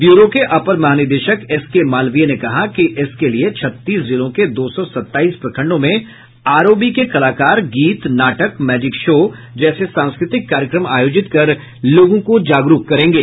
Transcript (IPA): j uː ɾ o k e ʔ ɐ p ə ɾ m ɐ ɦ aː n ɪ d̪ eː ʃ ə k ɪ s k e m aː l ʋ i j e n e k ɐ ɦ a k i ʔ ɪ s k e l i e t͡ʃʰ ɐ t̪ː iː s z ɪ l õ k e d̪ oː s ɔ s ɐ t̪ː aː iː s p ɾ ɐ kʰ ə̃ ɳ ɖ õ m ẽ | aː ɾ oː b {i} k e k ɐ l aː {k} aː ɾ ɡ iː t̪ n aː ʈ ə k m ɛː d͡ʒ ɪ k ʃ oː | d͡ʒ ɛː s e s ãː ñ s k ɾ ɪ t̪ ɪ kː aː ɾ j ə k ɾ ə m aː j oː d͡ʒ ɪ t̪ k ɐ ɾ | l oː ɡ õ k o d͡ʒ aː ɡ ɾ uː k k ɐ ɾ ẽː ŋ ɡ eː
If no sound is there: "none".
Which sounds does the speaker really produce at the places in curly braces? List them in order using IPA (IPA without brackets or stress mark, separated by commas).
i, k